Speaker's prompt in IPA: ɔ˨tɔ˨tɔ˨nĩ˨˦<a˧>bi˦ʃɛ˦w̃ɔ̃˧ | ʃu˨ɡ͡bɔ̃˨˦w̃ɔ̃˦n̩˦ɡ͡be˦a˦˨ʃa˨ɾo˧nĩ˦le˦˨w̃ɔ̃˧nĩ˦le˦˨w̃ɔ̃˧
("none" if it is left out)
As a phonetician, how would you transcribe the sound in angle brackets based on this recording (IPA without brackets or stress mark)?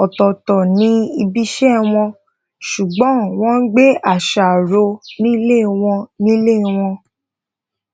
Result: i˧